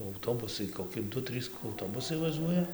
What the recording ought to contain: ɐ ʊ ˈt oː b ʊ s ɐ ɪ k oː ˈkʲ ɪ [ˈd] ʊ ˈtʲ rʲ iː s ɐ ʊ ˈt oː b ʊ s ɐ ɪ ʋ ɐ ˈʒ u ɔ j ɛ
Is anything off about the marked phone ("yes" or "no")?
no